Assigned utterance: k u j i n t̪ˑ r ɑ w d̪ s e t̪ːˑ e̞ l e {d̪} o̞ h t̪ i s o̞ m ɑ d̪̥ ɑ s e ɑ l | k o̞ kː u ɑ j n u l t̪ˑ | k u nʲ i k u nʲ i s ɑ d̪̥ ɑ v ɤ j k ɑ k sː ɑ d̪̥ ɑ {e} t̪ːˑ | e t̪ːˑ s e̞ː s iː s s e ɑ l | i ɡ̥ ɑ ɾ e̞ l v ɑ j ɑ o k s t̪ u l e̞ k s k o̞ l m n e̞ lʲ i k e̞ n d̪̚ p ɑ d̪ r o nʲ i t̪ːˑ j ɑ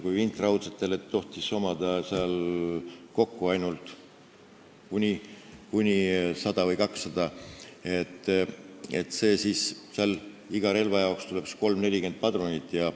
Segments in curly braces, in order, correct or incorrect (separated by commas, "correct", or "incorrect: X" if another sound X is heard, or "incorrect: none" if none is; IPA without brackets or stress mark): incorrect: t̪, correct